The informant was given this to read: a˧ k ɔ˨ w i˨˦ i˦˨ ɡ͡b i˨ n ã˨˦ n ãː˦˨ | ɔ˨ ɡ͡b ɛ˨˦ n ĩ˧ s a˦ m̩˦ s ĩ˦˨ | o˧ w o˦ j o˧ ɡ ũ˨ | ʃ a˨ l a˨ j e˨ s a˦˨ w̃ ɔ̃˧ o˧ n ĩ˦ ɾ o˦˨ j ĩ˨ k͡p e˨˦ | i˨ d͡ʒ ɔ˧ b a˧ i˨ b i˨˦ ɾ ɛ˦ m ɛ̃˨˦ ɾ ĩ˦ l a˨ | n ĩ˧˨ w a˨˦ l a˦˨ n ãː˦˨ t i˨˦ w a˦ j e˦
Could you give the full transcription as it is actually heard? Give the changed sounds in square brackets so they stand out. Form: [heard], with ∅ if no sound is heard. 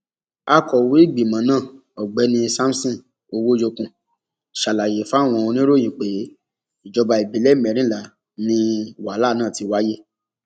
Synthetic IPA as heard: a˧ k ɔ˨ w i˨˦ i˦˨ ɡ͡b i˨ [m] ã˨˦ n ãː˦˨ | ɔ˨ ɡ͡b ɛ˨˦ n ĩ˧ s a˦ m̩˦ s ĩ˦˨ | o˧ w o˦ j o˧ [k] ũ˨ | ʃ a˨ l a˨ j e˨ [f] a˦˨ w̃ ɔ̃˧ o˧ n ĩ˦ ɾ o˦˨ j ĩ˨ k͡p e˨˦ | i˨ d͡ʒ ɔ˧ b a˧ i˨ b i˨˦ [l] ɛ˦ m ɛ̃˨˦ ɾ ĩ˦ l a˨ | n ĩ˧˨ w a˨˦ l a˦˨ n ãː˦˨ t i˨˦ w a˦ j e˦